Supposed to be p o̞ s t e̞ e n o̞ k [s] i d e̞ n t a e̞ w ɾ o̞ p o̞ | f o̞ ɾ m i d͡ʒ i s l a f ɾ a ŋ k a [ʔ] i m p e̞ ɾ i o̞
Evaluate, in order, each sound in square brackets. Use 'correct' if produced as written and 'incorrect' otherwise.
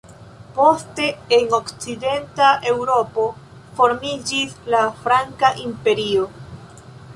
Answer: incorrect: t͡s, correct

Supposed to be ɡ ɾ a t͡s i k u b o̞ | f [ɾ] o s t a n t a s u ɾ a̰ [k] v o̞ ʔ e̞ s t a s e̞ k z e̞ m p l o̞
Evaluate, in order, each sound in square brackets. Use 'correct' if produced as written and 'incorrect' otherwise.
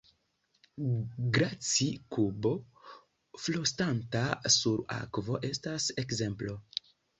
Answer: incorrect: l, correct

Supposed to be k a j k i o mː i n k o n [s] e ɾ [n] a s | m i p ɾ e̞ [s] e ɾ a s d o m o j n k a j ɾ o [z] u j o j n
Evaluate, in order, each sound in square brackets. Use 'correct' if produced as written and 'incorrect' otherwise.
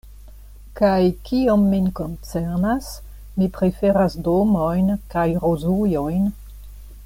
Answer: incorrect: t͡s, correct, incorrect: f, correct

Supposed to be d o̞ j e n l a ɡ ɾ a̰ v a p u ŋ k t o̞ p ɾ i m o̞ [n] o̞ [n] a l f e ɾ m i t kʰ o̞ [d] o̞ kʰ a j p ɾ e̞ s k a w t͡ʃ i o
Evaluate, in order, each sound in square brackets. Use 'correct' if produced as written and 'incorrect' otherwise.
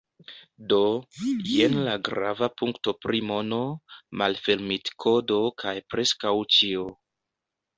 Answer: correct, incorrect: m, correct

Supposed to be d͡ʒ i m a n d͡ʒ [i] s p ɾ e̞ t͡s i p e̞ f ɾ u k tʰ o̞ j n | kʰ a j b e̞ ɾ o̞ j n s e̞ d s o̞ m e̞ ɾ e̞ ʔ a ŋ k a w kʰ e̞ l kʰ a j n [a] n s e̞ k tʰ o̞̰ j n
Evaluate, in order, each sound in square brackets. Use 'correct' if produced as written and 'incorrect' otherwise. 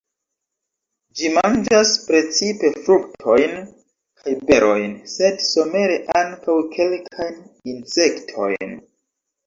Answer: incorrect: a, incorrect: i

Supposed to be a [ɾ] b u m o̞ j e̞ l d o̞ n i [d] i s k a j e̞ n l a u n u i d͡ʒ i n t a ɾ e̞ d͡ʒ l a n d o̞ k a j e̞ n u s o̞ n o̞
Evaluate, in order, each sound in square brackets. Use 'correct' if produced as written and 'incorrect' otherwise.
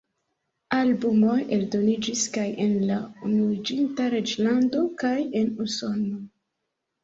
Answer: incorrect: l, incorrect: d͡ʒ

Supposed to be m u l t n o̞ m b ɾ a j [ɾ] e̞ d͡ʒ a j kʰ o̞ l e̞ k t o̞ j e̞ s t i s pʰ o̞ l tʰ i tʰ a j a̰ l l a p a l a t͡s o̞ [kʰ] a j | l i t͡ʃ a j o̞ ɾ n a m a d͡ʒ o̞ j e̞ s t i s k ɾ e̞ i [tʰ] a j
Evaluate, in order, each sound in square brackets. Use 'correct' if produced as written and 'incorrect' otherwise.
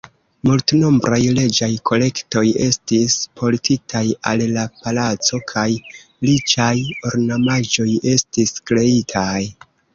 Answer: incorrect: l, correct, correct

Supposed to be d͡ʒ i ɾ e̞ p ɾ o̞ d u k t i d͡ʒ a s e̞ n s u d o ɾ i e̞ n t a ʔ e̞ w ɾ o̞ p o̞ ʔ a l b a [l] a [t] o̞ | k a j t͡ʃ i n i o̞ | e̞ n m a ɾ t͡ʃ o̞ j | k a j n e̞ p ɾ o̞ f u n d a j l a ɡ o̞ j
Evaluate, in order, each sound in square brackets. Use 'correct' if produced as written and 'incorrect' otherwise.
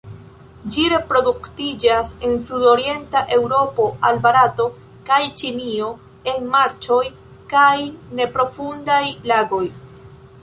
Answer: incorrect: ɾ, correct

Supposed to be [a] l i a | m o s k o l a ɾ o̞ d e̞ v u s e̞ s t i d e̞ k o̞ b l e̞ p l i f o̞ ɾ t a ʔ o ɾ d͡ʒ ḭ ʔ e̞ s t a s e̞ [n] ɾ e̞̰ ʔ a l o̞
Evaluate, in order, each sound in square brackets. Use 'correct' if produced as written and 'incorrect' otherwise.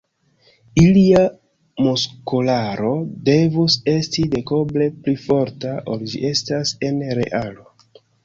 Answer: incorrect: i, correct

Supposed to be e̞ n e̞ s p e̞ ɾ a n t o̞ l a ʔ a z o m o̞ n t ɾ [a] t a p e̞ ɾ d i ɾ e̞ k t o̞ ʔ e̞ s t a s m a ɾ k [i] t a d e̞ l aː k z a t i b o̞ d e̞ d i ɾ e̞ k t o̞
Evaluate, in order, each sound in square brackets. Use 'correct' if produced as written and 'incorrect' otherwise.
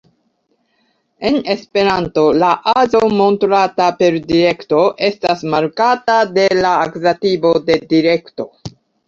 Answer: correct, incorrect: a

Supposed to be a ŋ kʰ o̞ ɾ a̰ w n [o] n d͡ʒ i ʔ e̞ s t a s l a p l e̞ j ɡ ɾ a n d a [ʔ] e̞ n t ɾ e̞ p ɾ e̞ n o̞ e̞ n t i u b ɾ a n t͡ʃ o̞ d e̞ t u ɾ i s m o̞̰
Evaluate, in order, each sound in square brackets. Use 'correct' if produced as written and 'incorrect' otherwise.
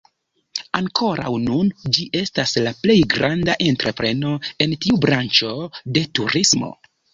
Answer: incorrect: u, correct

